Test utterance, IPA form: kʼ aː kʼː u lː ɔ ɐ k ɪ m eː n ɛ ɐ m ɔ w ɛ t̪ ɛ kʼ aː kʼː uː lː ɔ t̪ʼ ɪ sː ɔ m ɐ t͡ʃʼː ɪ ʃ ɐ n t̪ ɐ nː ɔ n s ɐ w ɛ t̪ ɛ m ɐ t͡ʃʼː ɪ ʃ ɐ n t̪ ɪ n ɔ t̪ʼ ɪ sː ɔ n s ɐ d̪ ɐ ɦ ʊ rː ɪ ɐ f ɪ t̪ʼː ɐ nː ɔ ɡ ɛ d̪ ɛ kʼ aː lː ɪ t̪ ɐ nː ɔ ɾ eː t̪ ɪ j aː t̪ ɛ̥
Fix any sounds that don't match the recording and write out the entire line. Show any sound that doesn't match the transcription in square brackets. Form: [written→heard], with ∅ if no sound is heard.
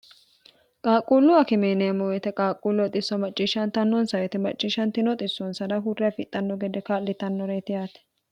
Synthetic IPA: kʼ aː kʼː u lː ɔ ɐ k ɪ m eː n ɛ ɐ m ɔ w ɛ t̪ ɛ kʼ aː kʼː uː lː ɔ t̪ʼ ɪ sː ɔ m ɐ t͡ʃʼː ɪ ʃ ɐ n t̪ ɐ nː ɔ n s ɐ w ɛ t̪ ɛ m ɐ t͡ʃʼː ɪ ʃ ɐ n t̪ ɪ n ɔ t̪ʼ ɪ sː ɔ n s ɐ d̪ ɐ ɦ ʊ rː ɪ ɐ f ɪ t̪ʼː ɐ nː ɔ ɡ ɛ d̪ ɛ [kʼ→k] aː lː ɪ t̪ ɐ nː ɔ ɾ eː t̪ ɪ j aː t̪ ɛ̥